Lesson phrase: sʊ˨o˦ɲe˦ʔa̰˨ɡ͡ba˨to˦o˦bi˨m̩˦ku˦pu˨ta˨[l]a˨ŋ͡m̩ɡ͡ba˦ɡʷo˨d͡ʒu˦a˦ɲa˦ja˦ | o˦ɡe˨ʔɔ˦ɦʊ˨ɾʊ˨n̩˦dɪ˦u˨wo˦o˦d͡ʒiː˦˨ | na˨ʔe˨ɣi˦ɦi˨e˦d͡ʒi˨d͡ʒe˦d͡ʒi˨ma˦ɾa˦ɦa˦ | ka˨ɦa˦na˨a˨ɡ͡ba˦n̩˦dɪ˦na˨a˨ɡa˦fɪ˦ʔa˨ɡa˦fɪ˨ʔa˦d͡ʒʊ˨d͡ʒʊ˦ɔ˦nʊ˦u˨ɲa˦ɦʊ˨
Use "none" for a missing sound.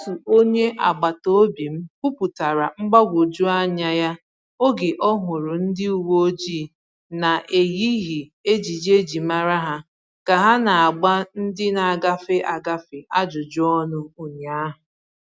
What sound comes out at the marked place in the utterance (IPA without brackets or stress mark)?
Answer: ɾ